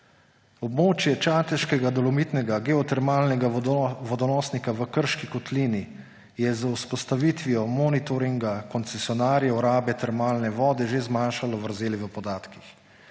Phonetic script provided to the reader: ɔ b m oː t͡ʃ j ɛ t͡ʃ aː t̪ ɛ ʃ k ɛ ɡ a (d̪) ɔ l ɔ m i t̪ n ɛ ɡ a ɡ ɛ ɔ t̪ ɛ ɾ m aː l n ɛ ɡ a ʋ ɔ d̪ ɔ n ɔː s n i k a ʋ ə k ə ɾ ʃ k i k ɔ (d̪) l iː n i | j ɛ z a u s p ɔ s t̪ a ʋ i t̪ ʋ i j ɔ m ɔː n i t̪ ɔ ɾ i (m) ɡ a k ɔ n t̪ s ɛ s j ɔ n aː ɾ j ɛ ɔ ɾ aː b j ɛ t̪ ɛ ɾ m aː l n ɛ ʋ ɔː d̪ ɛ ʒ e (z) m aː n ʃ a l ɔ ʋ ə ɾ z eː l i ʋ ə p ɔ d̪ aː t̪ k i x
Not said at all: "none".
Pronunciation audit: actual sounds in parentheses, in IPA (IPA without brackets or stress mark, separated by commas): d̪, t̪, ŋ, z